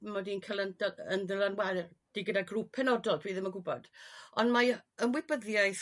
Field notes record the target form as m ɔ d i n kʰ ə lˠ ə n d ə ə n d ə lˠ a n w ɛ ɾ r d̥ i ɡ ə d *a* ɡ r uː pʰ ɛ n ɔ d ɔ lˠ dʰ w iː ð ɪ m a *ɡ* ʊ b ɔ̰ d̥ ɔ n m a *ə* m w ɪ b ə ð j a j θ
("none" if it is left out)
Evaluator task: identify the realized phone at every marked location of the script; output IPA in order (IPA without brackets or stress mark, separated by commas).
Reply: a, ɡ, ə